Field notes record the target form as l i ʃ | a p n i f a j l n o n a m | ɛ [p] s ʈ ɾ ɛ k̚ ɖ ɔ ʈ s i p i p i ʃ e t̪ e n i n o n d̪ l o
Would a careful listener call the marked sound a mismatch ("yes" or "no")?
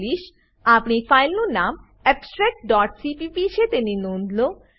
no